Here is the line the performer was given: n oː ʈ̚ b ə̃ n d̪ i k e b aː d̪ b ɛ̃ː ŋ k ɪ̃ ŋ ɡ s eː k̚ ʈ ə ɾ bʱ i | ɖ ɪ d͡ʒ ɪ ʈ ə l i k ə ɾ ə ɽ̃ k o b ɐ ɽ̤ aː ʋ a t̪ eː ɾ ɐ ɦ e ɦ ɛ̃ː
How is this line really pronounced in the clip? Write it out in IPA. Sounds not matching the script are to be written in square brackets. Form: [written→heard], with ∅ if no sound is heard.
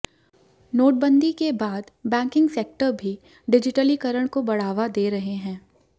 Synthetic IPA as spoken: n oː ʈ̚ b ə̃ n d̪ i k e b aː d̪ b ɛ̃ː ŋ k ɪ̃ ŋ ɡ s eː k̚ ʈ ə ɾ bʱ i | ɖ ɪ d͡ʒ ɪ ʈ ə l i k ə ɾ ə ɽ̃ k o b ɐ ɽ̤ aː ʋ a [t̪→d̪] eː ɾ ɐ ɦ e ɦ ɛ̃ː

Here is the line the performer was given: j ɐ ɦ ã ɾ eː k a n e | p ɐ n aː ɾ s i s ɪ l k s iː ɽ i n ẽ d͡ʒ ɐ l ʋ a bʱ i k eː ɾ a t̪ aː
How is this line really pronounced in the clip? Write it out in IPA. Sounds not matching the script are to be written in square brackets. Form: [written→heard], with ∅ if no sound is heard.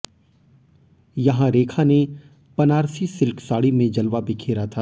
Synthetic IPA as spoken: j ɐ ɦ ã ɾ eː [k→kʰ] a n e | p ɐ n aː ɾ s i s ɪ l k s [iː→aː] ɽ i [n→m] ẽ d͡ʒ ɐ l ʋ a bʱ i [k→kʰ] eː ɾ a [t̪→t̪ʰ] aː

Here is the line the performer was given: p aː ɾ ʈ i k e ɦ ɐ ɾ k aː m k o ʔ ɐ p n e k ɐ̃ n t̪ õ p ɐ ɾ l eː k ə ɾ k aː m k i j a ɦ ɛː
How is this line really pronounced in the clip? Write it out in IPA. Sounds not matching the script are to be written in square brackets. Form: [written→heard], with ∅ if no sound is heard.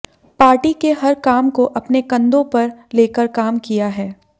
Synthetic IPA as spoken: p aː ɾ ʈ i k e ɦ ɐ ɾ k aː m k o ʔ ɐ p n e k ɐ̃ n [t̪→d̪] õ p ɐ ɾ l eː k ə ɾ k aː m k i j a ɦ ɛː

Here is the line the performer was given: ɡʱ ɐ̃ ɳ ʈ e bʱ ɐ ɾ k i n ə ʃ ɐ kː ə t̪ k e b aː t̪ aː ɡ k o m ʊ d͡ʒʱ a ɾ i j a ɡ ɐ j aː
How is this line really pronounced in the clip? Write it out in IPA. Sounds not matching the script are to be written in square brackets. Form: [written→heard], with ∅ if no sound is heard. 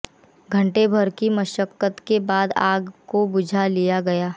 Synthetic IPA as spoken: ɡʱ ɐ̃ ɳ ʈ e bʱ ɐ ɾ k i [n→m] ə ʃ [ɐ→ə] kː ə t̪ k e b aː [t̪→d̪] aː ɡ k o [m→b] ʊ d͡ʒʱ a [ɾ→l] i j a ɡ ɐ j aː

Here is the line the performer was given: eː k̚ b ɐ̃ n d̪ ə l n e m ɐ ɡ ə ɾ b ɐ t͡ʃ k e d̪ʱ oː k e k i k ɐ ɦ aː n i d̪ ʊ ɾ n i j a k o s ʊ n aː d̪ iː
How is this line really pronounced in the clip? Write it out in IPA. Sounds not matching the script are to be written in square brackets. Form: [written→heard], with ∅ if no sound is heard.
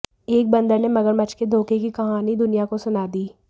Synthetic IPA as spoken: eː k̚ b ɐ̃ n d̪ ə [l→ɾ] n e m ɐ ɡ ə ɾ [b→m] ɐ t͡ʃ k e d̪ʱ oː k e k i k ɐ ɦ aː n i d̪ ʊ [ɾ→∅] n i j a k o s ʊ n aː d̪ iː

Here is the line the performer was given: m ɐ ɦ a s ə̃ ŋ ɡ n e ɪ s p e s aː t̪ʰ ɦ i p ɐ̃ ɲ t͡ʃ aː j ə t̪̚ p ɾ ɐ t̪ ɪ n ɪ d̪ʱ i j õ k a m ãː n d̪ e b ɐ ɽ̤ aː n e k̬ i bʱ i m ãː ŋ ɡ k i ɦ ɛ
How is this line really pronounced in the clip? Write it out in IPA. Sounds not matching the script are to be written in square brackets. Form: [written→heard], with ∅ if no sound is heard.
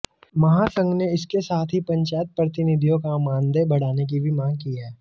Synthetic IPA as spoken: m ɐ ɦ a s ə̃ ŋ ɡ n e ɪ s [p→k] e s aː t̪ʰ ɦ i p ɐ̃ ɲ t͡ʃ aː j ə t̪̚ p ɾ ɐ t̪ ɪ n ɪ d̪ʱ i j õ k a m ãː n d̪ e b ɐ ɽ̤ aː n e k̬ i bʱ i m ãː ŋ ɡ k i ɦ [ɛ→ɛː]

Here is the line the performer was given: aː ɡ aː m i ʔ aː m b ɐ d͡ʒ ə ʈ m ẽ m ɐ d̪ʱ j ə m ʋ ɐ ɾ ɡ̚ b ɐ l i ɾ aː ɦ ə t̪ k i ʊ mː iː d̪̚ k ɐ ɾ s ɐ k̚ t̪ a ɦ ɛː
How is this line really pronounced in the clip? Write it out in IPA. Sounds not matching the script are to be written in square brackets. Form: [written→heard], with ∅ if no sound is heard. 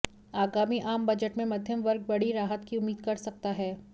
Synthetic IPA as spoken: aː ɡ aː m i ʔ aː m b ɐ d͡ʒ ə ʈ m ẽ m ɐ d̪ʱ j ə m ʋ ɐ ɾ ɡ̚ b ɐ [l→ɽ] i ɾ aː ɦ ə t̪ k i ʊ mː iː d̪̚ k ɐ ɾ s ɐ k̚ t̪ a ɦ ɛː

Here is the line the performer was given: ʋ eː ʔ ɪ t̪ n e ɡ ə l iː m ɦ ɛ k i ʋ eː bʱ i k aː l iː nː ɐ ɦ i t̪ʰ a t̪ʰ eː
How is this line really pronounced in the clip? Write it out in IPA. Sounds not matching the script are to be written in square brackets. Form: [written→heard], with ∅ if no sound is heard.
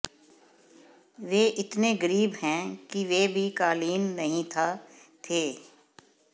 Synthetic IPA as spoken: ʋ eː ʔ ɪ t̪ n e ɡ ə [l→ɾ] iː [m→b] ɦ [ɛ→ɛ̃] k i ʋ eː bʱ i k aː l iː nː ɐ ɦ [i→ĩ] t̪ʰ a t̪ʰ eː

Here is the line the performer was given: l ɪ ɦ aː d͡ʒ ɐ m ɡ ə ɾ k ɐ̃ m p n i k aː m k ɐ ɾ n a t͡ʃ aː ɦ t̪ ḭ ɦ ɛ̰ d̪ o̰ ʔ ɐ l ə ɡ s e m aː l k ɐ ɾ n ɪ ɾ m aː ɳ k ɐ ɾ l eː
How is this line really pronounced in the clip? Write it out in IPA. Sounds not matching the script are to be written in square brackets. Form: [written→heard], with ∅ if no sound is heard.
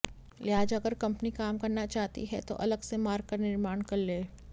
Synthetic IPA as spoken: l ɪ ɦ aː d͡ʒ ɐ [m→∅] ɡ ə ɾ k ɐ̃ m p n i k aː m k ɐ ɾ n a t͡ʃ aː ɦ t̪ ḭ ɦ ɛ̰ [d̪→t̪] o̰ ʔ ɐ l ə ɡ s e m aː [l→ɾ] k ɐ ɾ n ɪ ɾ m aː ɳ k ɐ ɾ l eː

